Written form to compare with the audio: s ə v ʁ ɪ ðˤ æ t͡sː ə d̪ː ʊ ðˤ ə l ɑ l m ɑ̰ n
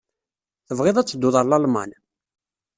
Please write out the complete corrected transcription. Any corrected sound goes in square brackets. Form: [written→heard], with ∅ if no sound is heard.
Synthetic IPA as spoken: [s→θ] ə v ʁ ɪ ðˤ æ t͡sː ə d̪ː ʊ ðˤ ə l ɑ l m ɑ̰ n